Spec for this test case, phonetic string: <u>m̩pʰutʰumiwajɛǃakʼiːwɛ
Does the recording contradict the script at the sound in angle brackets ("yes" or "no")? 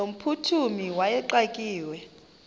yes